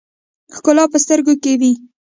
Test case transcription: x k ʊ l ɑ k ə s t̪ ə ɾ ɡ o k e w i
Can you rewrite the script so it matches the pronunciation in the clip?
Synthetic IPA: x k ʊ l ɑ p ə s t̪ ə ɾ ɡ o k e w i